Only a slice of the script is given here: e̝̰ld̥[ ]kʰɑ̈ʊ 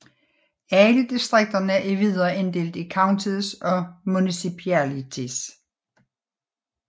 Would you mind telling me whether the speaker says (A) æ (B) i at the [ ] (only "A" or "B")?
B